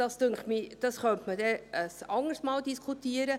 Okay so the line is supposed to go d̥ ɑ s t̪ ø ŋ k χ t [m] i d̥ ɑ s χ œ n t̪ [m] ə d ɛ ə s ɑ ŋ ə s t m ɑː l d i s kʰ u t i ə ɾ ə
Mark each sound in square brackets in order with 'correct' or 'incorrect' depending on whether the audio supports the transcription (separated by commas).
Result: correct, correct